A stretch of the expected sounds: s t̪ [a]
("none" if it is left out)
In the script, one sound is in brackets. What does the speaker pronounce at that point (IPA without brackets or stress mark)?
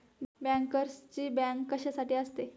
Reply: e